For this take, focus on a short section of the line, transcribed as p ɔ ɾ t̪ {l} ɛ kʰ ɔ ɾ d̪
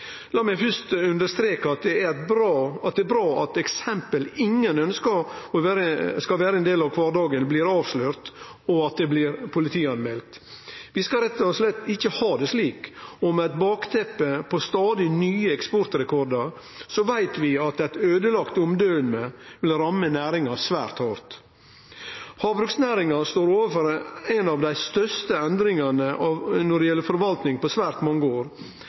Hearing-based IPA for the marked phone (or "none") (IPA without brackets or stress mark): ɾ